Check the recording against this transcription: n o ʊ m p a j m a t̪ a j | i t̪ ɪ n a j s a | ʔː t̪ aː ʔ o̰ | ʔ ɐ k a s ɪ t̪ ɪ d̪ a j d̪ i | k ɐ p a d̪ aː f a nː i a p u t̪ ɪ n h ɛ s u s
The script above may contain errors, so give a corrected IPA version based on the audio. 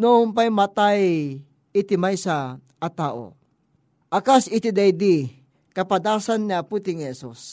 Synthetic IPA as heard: n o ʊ m p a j m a t̪ a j | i t̪ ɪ m a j s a | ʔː t̪ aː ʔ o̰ | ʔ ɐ k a s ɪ t̪ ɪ d̪ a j d̪ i | k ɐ p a d̪ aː s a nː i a p u t̪ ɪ ŋ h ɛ s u s